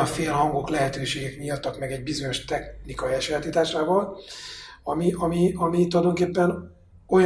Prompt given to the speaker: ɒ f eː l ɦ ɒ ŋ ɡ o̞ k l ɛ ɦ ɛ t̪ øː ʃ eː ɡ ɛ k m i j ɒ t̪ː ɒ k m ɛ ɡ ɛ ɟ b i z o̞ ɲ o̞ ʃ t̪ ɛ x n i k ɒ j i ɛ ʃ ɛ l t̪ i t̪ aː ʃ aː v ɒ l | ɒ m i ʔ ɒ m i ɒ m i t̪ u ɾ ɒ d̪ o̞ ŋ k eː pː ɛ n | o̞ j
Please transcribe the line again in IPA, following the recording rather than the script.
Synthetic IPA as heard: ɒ f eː l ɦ ɒ ŋ ɡ o̞ k l ɛ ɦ ɛ t̪ øː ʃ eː ɡ ɛ k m i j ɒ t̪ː ɒ k m ɛ ɡ ɛ ɟ b i z o̞ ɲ o̞ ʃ t̪ ɛ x n i k ɒ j i ɛ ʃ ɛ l t̪ i t̪ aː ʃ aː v ɒ l | ɒ m i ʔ ɒ m i ɒ m i t̪ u l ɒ d̪ o̞ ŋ k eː pː ɛ n | o̞ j